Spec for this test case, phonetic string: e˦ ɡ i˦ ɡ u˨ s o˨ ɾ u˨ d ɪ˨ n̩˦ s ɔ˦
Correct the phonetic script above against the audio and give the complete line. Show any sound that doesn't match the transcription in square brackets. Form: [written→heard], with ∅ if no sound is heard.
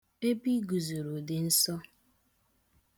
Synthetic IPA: e˦ [ɡ→b] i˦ ɡ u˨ [s→z] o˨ ɾ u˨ d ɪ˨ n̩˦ s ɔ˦

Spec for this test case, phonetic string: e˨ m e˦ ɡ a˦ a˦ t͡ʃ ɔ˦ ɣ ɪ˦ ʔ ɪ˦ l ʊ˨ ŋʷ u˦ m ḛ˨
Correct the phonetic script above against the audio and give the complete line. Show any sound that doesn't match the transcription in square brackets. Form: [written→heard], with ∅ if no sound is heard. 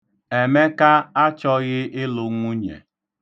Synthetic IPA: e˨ m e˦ [ɡ→k] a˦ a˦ t͡ʃ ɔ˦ ɣ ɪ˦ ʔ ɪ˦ l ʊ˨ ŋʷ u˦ [m→ɲ] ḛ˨

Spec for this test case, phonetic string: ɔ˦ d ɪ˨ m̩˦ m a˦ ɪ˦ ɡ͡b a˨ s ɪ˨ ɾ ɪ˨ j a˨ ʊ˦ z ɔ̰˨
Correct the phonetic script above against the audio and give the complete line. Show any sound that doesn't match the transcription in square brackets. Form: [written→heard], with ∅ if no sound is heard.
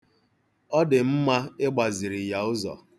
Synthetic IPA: ɔ˦ d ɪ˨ m̩˦ m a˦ ɪ˦ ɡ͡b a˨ [s→z] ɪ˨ ɾ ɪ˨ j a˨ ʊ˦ z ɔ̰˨

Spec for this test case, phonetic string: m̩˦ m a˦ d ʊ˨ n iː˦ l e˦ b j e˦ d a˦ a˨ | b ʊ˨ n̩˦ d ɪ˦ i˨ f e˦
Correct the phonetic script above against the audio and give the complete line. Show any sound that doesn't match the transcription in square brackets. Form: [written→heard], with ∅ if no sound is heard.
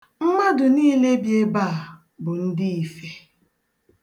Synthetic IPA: m̩˦ m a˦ d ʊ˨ n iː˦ l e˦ b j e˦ [d→b] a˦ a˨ | b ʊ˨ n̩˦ d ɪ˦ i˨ f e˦

